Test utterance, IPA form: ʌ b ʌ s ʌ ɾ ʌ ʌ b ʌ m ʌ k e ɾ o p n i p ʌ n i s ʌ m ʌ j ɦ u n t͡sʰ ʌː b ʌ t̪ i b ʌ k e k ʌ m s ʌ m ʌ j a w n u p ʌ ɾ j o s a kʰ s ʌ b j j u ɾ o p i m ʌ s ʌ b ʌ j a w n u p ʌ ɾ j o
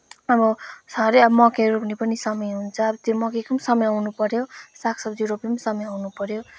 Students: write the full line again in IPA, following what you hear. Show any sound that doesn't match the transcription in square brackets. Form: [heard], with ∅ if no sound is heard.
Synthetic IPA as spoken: ʌ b ʌ s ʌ ɾ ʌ ʌ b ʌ m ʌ k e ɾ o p n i p ʌ n i s ʌ m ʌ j ɦ u n t͡sʰ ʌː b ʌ t̪ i [m] ʌ k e k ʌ m s ʌ m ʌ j a w n u p ʌ ɾ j o s a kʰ s ʌ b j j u ɾ o p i m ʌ s ʌ [m] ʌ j a w n u p ʌ ɾ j o